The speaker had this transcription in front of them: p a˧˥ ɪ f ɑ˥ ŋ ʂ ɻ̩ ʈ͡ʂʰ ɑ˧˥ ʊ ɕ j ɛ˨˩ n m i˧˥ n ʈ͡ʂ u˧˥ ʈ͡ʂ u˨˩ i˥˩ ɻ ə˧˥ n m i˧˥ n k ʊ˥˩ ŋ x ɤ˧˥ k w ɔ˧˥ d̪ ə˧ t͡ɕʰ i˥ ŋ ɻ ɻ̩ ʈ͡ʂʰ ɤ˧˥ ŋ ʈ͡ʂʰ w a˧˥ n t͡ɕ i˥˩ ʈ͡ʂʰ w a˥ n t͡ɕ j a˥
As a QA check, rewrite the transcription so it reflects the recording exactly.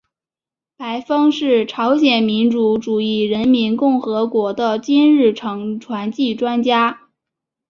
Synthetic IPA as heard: p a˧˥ ɪ f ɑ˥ ŋ ʂ ɻ̩ ʈ͡ʂʰ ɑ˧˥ ʊ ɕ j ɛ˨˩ n m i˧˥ n ʈ͡ʂ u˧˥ ʈ͡ʂ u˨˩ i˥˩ ɻ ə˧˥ n m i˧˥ n k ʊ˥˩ ŋ x ɤ˧˥ k w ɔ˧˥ d̪ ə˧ t͡ɕ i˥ n ɻ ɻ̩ ʈ͡ʂʰ ɤ˧˥ ŋ ʈ͡ʂʰ w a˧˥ n t͡ɕ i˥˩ ʈ͡ʂ w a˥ n t͡ɕ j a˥

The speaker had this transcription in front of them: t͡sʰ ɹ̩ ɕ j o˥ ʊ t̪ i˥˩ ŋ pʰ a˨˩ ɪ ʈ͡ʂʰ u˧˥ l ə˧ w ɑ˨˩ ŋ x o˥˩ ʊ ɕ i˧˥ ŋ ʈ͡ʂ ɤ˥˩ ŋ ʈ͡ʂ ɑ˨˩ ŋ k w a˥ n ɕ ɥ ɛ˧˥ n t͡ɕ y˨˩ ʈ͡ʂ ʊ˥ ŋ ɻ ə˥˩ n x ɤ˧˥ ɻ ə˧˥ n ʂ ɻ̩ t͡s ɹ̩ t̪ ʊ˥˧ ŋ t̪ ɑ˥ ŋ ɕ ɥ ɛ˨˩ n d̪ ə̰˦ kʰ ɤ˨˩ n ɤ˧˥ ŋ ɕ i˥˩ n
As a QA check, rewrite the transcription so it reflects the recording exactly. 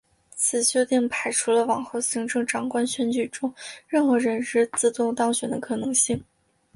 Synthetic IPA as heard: t͡sʰ ɹ̩ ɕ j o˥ ʊ t̪ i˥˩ ŋ pʰ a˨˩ ɪ ʈ͡ʂʰ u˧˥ l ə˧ w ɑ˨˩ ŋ x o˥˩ ʊ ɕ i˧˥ ŋ ʈ͡ʂ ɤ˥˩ ŋ ʈ͡ʂ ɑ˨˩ ŋ k w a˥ n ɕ ɥ ɛ˧˥ n t͡ɕ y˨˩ ʈ͡ʂ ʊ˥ ŋ ɻ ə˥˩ n x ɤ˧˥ ɻ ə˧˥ n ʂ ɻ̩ t͡s ɹ̩ t̪ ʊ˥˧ ŋ t̪ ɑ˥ ŋ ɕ ɥ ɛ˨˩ n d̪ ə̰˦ kʰ ɤ˨˩ n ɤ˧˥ ŋ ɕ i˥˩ ŋ

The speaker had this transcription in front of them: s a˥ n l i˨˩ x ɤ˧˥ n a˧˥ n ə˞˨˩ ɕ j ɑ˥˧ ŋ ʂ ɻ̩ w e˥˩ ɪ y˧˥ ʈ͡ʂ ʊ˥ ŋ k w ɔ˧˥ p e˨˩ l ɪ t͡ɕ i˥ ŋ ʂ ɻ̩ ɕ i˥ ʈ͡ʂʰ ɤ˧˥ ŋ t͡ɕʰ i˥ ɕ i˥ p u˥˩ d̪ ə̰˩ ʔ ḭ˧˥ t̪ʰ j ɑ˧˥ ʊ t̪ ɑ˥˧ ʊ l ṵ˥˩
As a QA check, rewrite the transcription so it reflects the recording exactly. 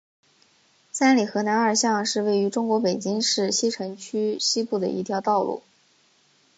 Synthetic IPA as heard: s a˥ n l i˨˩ x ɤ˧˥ n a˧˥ n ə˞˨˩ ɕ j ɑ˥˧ ŋ ʂ ɻ̩ w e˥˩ ɪ y˧˥ ʈ͡ʂ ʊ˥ ŋ k w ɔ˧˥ p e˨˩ ɪ t͡ɕ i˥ ŋ ʂ ɻ̩ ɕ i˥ ʈ͡ʂʰ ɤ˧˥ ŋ t͡ɕʰ y˥ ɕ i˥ p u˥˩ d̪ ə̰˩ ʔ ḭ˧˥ t̪ʰ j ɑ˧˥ ʊ t̪ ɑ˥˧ ʊ l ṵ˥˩

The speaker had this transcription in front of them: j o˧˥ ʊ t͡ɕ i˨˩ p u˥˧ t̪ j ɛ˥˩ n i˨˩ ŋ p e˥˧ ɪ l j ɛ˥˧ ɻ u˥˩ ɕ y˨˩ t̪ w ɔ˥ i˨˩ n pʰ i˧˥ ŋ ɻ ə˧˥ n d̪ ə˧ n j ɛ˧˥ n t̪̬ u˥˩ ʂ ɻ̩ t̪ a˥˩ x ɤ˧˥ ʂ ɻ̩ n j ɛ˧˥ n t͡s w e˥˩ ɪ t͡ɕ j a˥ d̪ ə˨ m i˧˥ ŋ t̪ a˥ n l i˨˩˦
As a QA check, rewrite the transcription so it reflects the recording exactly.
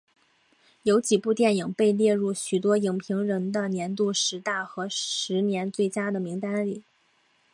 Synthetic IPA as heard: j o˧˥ ʊ t͡ɕ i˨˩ p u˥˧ t̪ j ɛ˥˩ n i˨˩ ŋ p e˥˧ ɪ l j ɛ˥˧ ɻ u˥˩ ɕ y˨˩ t̪ w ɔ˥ i˨˩ ŋ pʰ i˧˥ ŋ ɻ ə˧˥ n d̪ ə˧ n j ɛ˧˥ n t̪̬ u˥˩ ʂ ɻ̩ t̪ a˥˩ x ɤ˧˥ ʂ ɻ̩ n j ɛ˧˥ n t͡s w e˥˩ ɪ t͡ɕ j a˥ d̪ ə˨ m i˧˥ ŋ t̪ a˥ n l i˨˩˦

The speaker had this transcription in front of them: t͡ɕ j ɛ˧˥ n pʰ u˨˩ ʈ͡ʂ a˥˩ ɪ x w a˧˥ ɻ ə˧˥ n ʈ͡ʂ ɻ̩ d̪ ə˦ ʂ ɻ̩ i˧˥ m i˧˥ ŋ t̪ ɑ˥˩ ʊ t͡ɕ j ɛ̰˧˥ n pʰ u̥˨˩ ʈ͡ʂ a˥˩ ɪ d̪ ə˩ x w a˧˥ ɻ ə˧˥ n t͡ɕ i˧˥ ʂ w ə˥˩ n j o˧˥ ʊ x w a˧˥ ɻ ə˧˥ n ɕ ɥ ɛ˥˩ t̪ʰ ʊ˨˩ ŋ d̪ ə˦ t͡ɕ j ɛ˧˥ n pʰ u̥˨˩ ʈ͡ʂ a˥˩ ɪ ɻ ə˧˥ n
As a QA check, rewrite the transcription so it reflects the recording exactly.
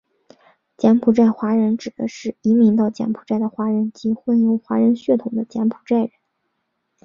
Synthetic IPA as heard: t͡ɕ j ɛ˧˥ n pʰ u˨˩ ʈ͡ʂ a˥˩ ɪ x w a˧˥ ɻ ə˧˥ n ʈ͡ʂ ɻ̩ d̪ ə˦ ʂ ɻ̩ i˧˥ m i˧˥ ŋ t̪ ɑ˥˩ ʊ t͡ɕ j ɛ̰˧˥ n pʰ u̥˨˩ ʈ͡ʂ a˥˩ ɪ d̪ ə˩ x w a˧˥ ɻ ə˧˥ n t͡ɕ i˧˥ x w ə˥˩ n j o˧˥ ʊ x w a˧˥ ɻ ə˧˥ n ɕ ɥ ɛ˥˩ t̪ʰ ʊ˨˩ ŋ d̪ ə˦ t͡ɕ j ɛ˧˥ n pʰ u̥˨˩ ʈ͡ʂ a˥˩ ɪ ɻ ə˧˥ n

